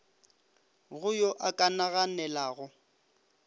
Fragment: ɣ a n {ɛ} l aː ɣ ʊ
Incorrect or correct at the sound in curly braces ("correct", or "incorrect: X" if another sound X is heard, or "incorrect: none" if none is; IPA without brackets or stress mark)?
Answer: correct